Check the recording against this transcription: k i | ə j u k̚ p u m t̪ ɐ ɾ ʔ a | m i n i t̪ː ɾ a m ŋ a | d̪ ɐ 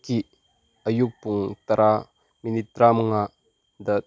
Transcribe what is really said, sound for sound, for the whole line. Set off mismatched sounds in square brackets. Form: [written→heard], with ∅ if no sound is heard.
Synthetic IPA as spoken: k i | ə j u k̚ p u [m→ŋ] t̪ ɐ ɾ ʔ a | m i n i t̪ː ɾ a m ŋ a | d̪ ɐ